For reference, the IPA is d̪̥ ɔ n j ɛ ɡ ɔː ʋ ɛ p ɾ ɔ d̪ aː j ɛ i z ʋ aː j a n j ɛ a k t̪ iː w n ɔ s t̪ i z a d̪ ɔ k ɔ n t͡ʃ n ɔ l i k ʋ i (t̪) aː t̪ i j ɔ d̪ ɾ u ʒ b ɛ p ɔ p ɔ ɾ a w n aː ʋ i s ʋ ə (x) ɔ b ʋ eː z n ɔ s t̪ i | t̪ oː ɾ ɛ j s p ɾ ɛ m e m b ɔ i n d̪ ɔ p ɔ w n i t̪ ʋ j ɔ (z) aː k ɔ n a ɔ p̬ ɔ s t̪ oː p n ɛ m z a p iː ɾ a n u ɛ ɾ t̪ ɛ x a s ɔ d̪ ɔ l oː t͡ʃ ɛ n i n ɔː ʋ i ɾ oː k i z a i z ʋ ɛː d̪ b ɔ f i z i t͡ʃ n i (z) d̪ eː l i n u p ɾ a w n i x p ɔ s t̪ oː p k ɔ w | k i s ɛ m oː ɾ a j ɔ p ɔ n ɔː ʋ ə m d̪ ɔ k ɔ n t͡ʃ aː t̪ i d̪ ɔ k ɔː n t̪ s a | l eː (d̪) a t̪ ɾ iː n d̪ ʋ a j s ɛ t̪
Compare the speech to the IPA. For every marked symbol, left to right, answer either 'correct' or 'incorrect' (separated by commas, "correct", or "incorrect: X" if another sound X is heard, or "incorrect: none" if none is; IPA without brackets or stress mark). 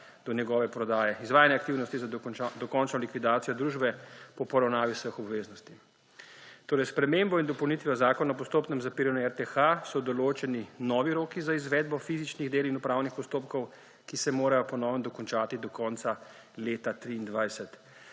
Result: incorrect: d̪, correct, correct, incorrect: ɣ, incorrect: t̪